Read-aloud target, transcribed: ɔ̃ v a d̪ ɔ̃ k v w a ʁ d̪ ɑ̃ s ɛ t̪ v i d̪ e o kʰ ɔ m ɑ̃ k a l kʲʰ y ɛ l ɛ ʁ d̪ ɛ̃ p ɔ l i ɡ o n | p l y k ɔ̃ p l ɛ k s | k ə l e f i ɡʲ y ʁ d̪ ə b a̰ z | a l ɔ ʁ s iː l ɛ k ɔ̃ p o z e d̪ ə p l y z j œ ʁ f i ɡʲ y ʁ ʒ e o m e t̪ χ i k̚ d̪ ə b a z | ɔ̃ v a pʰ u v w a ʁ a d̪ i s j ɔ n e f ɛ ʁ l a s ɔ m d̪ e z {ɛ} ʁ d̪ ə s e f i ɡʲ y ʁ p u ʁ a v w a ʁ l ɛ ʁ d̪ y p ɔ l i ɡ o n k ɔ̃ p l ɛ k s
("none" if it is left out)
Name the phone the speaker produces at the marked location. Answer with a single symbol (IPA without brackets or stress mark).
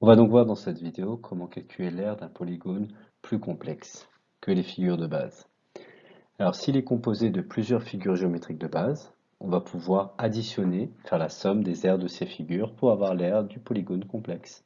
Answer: ɛ